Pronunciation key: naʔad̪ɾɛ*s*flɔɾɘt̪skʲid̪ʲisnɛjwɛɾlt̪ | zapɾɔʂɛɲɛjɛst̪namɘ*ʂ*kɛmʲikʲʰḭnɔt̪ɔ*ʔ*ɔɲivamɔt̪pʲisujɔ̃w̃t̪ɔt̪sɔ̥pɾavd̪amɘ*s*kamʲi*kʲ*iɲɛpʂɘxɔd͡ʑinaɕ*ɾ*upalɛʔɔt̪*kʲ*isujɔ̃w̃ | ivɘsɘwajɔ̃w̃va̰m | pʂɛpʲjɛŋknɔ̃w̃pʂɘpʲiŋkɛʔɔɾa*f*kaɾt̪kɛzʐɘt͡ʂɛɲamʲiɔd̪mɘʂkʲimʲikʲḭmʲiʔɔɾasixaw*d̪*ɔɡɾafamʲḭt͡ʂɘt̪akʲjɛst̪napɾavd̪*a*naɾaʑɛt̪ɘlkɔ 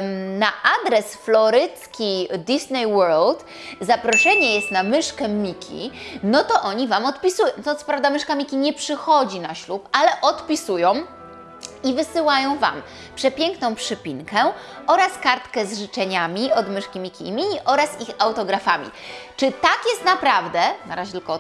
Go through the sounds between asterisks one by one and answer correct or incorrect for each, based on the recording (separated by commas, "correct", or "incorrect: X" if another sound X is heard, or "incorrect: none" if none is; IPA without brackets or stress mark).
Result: correct, correct, correct, incorrect: ʂ, correct, incorrect: l, incorrect: pʲ, incorrect: s, incorrect: t̪, incorrect: ɛ